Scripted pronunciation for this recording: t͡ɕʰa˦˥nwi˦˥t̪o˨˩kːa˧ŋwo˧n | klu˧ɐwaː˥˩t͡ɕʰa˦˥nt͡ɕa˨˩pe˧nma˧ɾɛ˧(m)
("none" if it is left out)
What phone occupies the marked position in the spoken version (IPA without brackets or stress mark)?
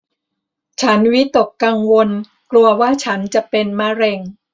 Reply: ŋ